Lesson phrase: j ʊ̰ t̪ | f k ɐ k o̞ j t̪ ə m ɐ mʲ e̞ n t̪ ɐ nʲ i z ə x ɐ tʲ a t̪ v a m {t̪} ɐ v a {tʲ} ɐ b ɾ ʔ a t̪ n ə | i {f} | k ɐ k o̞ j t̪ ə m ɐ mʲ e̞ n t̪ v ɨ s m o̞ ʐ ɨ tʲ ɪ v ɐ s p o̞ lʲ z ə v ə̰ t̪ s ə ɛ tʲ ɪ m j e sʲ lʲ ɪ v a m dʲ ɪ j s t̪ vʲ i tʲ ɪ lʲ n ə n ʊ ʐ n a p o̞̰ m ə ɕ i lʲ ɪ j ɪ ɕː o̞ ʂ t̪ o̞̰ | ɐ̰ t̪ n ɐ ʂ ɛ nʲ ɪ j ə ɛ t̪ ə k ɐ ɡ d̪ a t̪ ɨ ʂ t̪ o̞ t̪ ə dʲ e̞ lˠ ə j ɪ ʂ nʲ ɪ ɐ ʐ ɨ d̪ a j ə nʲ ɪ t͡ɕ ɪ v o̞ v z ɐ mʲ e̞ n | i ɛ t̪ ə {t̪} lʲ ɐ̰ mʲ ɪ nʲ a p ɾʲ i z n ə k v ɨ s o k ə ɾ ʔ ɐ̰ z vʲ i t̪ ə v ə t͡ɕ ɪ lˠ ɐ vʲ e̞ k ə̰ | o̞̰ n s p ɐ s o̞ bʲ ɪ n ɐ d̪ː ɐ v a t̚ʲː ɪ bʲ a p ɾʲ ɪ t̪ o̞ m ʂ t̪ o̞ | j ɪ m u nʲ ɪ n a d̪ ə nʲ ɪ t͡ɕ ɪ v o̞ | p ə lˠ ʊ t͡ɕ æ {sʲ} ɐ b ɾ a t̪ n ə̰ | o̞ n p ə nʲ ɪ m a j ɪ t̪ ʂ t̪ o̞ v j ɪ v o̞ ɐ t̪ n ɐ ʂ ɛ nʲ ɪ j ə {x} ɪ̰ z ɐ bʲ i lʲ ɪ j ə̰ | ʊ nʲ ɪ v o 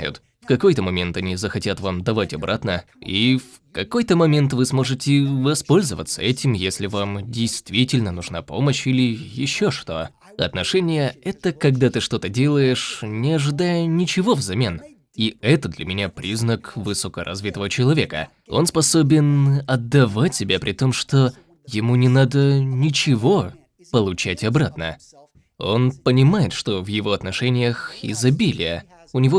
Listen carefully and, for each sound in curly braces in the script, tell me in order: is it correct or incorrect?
incorrect: d̪, correct, correct, incorrect: d̪, incorrect: tʲ, correct

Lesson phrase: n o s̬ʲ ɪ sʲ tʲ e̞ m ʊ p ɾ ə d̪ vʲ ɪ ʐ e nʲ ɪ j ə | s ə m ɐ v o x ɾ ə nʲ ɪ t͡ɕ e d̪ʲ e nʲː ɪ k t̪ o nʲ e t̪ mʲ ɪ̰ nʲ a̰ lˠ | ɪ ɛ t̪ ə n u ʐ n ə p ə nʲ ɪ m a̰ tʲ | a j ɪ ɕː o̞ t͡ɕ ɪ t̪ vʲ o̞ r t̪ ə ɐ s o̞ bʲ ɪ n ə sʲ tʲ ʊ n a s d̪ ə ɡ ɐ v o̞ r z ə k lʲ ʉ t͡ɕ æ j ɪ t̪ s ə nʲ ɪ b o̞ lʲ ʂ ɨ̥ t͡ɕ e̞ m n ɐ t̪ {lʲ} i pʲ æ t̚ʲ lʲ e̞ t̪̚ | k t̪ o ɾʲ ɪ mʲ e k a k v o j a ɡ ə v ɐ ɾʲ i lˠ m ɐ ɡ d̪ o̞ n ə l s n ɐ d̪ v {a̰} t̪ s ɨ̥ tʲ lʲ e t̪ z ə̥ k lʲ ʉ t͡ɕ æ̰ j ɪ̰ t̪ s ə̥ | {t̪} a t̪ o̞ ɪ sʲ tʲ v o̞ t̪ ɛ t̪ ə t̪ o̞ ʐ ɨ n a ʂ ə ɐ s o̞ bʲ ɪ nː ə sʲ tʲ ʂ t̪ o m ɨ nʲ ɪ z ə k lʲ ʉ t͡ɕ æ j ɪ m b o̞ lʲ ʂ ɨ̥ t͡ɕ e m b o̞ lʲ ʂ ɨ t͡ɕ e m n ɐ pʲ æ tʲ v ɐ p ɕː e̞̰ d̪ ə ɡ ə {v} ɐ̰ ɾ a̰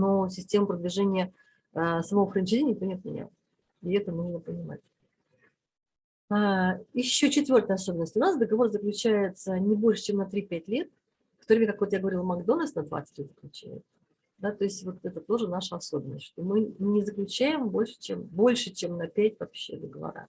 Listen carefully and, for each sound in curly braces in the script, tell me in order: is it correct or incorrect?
incorrect: ɾʲ, correct, incorrect: d̪, correct

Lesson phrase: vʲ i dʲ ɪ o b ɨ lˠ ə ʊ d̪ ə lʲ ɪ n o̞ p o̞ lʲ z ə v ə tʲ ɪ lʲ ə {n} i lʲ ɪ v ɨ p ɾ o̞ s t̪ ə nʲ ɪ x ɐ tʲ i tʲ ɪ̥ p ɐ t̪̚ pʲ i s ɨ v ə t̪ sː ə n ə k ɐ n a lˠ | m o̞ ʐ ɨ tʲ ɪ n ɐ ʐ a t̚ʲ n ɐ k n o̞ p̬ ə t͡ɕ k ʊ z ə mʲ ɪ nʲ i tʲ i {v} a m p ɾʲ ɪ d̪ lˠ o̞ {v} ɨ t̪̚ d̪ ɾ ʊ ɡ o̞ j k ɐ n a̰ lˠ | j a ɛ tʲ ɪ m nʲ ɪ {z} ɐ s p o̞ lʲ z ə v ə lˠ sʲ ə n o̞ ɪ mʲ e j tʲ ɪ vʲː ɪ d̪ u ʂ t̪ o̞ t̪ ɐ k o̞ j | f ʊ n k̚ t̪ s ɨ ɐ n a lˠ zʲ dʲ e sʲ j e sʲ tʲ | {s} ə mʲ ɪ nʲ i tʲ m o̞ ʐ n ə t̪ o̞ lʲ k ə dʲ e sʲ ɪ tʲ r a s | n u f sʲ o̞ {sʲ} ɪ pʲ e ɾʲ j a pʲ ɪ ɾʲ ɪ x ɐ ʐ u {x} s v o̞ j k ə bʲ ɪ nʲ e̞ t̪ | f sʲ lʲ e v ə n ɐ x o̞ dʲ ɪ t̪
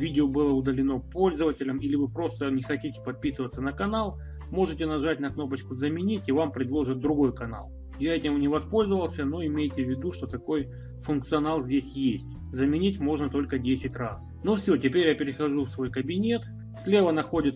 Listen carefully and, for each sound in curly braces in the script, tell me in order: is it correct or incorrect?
incorrect: m, correct, incorrect: ʐ, incorrect: v, incorrect: z, incorrect: tʲ, incorrect: f

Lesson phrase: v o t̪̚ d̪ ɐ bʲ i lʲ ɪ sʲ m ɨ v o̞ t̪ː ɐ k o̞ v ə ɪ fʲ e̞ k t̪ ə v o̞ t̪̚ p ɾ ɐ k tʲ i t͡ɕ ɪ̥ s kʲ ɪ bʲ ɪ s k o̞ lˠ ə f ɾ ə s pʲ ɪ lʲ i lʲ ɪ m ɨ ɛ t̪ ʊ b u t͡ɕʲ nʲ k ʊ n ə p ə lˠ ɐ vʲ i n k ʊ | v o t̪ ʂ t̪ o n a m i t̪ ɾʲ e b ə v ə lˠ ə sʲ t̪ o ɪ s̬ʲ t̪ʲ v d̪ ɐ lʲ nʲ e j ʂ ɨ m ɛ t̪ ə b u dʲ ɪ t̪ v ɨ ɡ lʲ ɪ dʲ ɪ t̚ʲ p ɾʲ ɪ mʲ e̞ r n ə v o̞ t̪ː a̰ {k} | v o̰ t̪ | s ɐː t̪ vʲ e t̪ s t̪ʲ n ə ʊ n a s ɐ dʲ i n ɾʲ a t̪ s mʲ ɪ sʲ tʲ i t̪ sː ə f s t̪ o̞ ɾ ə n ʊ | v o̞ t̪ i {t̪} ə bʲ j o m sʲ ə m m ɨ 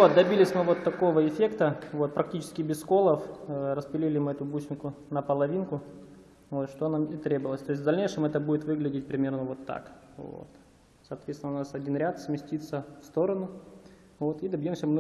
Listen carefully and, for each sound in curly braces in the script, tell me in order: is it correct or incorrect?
correct, incorrect: d̪

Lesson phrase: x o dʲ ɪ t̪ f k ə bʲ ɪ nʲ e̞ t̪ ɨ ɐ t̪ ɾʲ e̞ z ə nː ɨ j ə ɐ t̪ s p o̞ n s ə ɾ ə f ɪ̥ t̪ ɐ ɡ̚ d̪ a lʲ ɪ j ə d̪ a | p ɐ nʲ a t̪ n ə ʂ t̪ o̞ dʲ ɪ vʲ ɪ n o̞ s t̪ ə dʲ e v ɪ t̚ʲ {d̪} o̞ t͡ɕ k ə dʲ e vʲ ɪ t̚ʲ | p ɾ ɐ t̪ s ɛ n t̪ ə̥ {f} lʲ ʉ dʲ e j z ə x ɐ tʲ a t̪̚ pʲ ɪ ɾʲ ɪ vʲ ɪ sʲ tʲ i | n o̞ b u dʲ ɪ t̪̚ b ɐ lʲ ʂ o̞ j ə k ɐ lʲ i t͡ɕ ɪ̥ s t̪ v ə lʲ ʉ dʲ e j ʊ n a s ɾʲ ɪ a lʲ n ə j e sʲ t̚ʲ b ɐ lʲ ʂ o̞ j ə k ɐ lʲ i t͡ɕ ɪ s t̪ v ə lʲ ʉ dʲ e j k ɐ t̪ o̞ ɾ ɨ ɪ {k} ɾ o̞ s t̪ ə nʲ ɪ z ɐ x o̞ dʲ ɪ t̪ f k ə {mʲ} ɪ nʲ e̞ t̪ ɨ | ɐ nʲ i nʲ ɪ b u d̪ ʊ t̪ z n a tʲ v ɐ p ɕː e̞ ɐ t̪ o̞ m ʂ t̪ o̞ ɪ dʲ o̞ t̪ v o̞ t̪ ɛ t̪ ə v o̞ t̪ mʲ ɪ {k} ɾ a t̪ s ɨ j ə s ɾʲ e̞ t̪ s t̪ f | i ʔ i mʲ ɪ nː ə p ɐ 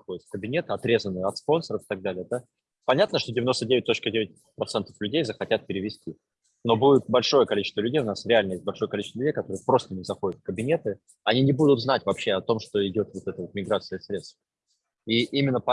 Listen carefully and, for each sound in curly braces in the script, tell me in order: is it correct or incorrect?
incorrect: t̪, correct, incorrect: p, incorrect: bʲ, incorrect: ɡ

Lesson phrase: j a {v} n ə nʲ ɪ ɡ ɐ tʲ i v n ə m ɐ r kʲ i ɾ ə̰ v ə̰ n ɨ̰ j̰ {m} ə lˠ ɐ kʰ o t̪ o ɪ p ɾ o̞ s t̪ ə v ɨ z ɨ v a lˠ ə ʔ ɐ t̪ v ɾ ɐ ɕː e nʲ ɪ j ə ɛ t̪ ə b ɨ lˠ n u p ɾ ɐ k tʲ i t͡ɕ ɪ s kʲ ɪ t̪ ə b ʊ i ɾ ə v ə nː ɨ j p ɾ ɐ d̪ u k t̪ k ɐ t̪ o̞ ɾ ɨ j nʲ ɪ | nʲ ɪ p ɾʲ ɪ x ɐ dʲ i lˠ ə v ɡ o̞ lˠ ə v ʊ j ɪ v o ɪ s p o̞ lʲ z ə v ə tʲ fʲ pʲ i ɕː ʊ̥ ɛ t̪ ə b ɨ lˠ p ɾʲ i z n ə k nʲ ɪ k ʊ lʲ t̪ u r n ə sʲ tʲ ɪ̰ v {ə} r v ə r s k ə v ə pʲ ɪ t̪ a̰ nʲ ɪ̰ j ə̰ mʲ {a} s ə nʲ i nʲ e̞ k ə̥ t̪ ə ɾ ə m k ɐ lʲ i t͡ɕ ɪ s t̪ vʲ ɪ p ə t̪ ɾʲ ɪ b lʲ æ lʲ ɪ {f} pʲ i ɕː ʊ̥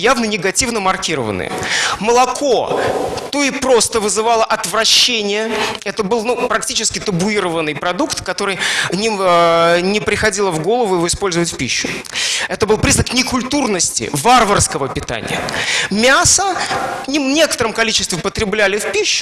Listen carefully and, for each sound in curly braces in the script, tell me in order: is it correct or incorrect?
correct, correct, incorrect: a, correct, correct

